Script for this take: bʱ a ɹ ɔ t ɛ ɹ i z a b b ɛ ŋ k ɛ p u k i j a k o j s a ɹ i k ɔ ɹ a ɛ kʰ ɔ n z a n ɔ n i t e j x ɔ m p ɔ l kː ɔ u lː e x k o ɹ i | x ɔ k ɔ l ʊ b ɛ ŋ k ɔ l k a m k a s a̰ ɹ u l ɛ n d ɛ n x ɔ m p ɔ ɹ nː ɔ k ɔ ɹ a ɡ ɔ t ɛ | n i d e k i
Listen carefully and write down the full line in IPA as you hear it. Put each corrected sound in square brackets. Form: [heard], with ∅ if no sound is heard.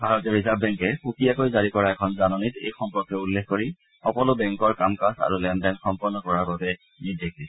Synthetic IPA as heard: bʱ a ɹ ɔ t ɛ ɹ i z a b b ɛ ŋ k ɛ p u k i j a k o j [z] a ɹ i k ɔ ɹ a ɛ kʰ ɔ n z a n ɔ n i t e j x ɔ m p ɔ [ɹ] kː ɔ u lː e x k o ɹ i | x ɔ k ɔ l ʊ b ɛ ŋ k ɔ [ɹ] k a m k a s a̰ ɹ u l ɛ n d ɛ n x ɔ m p ɔ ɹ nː ɔ k ɔ ɹ a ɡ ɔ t ɛ | n i d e k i